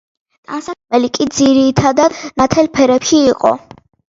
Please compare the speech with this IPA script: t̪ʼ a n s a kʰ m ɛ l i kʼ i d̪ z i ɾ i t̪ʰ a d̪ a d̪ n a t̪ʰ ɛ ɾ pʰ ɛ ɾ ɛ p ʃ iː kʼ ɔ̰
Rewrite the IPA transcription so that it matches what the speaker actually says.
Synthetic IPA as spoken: t̪ʼ a n s a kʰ m ɛ l i kʼ i d̪ z i ɾ i t̪ʰ a d̪ a d̪ n a t̪ʰ ɛ l pʰ ɛ ɾ ɛ p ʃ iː qʼ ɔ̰